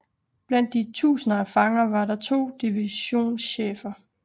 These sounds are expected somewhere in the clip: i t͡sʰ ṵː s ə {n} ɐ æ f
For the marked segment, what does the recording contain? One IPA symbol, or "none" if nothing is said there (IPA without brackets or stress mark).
n